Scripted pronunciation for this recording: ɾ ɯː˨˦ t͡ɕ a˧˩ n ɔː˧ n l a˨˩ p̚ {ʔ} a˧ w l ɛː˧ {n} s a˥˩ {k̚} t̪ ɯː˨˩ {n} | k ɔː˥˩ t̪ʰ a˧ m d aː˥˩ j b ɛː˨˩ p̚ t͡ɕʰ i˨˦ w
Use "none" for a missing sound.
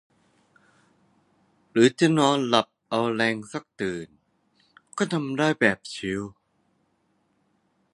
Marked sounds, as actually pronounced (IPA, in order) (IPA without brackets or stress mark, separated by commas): ʔ, ŋ, k̚, n